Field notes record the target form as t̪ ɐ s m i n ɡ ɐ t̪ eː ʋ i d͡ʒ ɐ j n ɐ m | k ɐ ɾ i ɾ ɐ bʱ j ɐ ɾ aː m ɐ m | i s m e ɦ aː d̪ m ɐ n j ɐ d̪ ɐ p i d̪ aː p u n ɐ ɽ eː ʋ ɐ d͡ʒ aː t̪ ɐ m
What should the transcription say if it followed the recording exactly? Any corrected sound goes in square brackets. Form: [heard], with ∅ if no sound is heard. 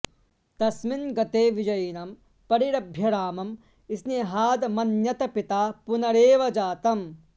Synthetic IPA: t̪ ɐ s m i n ɡ ɐ t̪ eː ʋ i d͡ʒ ɐ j n ɐ m | [p] ɐ ɾ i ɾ ɐ bʱ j ɐ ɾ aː m ɐ m | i s [n] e ɦ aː d̪ m ɐ n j ɐ [t̪] ɐ p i [t̪] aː p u n ɐ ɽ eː ʋ ɐ d͡ʒ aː t̪ ɐ m